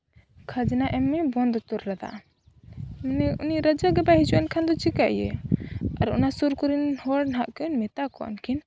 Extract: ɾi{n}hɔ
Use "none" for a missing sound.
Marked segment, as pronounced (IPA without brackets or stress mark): n